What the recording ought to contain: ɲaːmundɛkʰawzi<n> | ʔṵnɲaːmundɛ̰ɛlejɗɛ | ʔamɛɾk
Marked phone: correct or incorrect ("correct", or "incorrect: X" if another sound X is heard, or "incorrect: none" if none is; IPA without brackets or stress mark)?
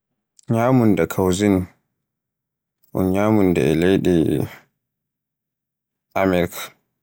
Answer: correct